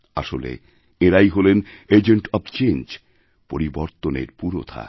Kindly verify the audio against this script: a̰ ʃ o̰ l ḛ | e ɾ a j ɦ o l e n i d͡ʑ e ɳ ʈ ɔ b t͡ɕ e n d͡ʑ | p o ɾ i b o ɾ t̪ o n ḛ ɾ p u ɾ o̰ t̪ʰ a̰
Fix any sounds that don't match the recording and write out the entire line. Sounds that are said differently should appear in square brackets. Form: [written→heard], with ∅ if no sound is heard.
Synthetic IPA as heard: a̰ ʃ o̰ l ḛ | e ɾ a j ɦ o l e n [i→e] d͡ʑ e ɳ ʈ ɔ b t͡ɕ e n d͡ʑ | p o ɾ i b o ɾ t̪ o n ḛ ɾ p u ɾ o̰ t̪ʰ a̰

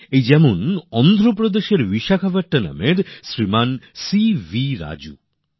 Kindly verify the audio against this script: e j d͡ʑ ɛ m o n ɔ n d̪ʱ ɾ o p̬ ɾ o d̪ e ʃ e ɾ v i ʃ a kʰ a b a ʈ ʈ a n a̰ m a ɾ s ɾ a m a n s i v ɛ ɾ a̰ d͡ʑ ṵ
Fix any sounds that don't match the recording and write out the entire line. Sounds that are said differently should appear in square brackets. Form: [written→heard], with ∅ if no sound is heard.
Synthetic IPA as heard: e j d͡ʑ ɛ m o n ɔ n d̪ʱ ɾ o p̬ ɾ o d̪ e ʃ e ɾ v i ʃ a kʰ a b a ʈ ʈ a n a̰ m [a→e] ɾ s ɾ [a→i] m a n s i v [ɛ→i] ɾ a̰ d͡ʑ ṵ

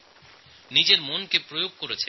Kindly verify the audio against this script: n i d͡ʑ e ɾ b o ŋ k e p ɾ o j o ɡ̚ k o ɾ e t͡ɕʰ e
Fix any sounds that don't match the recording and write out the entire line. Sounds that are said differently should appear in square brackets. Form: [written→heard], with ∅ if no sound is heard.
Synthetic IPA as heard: n i d͡ʑ e ɾ [b→m] o [ŋ→n] k e p ɾ o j o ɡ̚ k o ɾ e t͡ɕʰ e

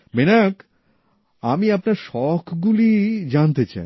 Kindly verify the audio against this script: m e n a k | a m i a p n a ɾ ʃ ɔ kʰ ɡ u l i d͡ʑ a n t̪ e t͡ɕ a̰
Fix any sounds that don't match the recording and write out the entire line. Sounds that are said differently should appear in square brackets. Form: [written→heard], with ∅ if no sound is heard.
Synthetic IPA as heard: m e n a k | a m i a p n a ɾ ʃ ɔ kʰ ɡ u l i d͡ʑ a n t̪ e t͡ɕ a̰

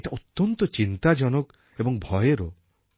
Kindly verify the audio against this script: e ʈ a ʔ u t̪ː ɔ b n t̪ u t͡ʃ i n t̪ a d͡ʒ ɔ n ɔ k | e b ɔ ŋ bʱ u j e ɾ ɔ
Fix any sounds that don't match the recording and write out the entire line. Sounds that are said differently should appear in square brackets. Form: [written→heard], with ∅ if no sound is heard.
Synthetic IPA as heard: e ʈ a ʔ u t̪ː ɔ [b→∅] n t̪ [u→ɔ] t͡ʃ i n t̪ a d͡ʒ ɔ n ɔ k | e b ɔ ŋ bʱ [u→ɔ] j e ɾ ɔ

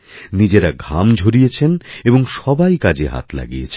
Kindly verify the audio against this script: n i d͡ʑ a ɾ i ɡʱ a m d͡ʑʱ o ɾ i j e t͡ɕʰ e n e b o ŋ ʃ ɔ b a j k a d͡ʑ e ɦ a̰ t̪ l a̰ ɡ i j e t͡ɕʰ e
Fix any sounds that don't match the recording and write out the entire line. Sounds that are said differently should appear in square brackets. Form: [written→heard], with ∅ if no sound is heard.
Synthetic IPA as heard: n i d͡ʑ [a→e] ɾ [i→a] ɡʱ a m d͡ʑʱ o ɾ i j e t͡ɕʰ e n e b o ŋ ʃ ɔ b a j k a d͡ʑ e ɦ a̰ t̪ l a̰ ɡ i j e t͡ɕʰ e

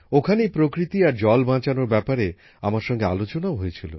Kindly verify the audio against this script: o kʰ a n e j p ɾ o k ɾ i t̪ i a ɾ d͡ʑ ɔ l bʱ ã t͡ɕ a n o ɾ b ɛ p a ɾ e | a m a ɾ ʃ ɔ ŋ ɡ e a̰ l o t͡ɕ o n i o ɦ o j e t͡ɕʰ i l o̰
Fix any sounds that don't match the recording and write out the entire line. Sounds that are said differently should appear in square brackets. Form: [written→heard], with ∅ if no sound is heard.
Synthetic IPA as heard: o kʰ a n e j p ɾ o k ɾ i t̪ i a ɾ d͡ʑ ɔ l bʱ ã t͡ɕ a n o ɾ b ɛ p a ɾ e | a m a ɾ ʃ ɔ ŋ ɡ e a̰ l o t͡ɕ o n [i→a] o ɦ o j e t͡ɕʰ i l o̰

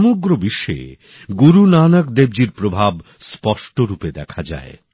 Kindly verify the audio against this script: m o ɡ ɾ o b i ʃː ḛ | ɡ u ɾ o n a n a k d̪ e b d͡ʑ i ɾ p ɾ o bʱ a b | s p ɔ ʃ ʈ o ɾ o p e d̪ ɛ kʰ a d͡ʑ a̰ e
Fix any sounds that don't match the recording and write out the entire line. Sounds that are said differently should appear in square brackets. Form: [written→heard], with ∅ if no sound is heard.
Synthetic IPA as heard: m o ɡ ɾ o b i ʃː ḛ | ɡ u ɾ [o→u] n a n a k d̪ e b d͡ʑ i ɾ p ɾ o bʱ a b | s p ɔ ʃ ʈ o ɾ [o→u] p e d̪ ɛ kʰ a d͡ʑ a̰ e

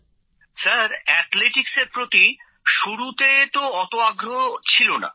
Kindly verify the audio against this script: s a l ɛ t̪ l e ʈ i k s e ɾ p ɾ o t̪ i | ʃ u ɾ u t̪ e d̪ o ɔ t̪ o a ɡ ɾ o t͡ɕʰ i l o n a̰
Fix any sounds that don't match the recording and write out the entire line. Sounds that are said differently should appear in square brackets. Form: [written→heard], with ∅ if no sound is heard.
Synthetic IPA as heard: s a [l→ɾ] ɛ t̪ l e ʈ i k s e ɾ p ɾ o t̪ i | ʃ u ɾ u t̪ e [d̪→t̪] o ɔ t̪ o a ɡ ɾ o t͡ɕʰ i l o n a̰

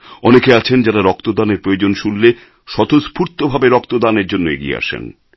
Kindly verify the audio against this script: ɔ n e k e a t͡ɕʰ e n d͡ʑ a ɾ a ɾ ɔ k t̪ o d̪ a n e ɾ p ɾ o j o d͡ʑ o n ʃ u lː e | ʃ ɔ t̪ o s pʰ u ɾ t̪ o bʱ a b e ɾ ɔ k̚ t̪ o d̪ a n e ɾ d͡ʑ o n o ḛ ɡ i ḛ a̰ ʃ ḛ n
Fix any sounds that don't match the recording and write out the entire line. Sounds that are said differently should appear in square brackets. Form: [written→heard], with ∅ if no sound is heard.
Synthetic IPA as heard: ɔ n e k e a t͡ɕʰ e n d͡ʑ a ɾ a ɾ ɔ k t̪ o d̪ a n e ɾ p ɾ o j o d͡ʑ o n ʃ u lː e | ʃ ɔ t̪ o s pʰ u ɾ t̪ o bʱ a b e ɾ ɔ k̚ t̪ o d̪ a n e ɾ d͡ʑ o [n→nː] o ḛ ɡ i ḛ a̰ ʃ ḛ n

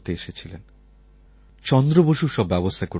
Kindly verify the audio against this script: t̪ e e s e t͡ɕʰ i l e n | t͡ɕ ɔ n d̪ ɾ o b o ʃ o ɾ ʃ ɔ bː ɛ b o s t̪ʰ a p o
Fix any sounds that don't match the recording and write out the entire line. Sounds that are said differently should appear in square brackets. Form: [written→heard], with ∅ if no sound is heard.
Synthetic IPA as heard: t̪ e e [s→ʃ] e t͡ɕʰ i l e n | t͡ɕ ɔ n d̪ ɾ o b o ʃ [o→u] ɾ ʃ ɔ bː ɛ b o s t̪ʰ a [p→k] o

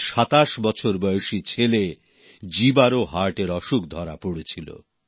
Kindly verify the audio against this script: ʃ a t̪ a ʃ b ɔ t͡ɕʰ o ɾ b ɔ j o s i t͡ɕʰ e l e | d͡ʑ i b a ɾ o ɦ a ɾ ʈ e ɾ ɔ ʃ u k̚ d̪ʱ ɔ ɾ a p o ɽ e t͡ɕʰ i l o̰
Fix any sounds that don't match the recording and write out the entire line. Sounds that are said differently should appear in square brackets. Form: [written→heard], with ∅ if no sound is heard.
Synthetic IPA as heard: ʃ a t̪ a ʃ b ɔ t͡ɕʰ o ɾ b ɔ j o [s→ʃ] i t͡ɕʰ e l e | d͡ʑ i b a ɾ o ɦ a ɾ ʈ e ɾ ɔ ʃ u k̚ d̪ʱ ɔ ɾ a p o ɽ e t͡ɕʰ i l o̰

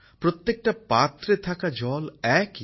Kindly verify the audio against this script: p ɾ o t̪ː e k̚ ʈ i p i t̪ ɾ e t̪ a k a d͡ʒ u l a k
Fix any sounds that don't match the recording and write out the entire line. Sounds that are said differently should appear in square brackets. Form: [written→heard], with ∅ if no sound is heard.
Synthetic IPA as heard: p ɾ o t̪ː e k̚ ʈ [i→a] p [i→a] t̪ ɾ e [t̪→t̪ʰ] a k a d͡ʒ [u→ɔ] l [a→ɛ] k

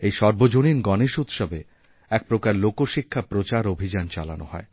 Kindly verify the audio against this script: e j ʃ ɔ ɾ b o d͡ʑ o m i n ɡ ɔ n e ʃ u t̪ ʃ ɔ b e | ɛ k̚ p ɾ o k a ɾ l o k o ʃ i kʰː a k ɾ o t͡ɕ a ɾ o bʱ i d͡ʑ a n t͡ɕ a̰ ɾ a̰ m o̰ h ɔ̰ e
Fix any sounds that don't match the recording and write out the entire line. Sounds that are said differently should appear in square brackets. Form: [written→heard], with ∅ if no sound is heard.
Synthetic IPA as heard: e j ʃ ɔ ɾ b o d͡ʑ o [m→n] i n ɡ ɔ n e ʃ u t̪ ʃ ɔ b e | ɛ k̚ p ɾ o k a ɾ l o k o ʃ i kʰː a [k→p] ɾ o t͡ɕ a ɾ o bʱ i d͡ʑ a n t͡ɕ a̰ [ɾ→l] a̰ [m→n] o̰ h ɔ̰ e

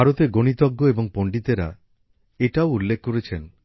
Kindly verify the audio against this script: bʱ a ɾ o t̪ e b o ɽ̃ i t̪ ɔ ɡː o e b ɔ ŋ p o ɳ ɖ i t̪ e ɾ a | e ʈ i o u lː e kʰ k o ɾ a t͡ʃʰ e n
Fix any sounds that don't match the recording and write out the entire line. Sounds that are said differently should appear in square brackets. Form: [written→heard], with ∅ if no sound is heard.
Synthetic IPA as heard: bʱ a ɾ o t̪ e [b→ɡ] o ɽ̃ i t̪ ɔ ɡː o e b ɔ ŋ p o ɳ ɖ i t̪ e ɾ a | e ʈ [i→a] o u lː e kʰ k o ɾ [a→e] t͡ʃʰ e n

